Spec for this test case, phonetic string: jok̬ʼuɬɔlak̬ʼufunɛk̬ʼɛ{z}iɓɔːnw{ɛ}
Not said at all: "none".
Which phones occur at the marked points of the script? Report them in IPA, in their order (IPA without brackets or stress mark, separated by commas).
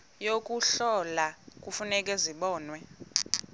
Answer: z, ɛ